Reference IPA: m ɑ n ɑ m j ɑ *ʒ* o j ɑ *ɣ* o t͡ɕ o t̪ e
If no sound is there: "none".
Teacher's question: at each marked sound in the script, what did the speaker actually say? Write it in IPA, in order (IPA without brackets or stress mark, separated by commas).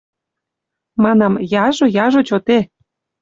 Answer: ʒ, ʒ